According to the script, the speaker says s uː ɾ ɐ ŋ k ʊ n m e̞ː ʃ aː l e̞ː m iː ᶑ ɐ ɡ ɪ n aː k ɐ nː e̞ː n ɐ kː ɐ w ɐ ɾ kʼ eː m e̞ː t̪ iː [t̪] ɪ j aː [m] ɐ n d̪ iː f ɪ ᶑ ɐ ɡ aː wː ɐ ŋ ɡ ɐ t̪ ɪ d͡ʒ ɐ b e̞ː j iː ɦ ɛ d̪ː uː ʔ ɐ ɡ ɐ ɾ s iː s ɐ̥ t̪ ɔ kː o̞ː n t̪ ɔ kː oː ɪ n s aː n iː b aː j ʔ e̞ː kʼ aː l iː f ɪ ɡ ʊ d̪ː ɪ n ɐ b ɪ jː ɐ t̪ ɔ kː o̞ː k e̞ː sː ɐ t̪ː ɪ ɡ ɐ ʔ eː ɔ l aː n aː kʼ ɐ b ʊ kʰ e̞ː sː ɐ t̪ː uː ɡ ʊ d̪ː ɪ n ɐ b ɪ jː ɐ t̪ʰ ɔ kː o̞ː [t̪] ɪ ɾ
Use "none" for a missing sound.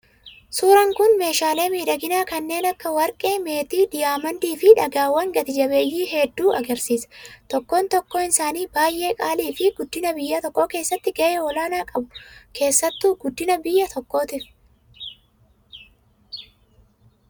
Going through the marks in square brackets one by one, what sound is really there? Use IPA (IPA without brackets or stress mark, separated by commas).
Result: d̪, m, t̪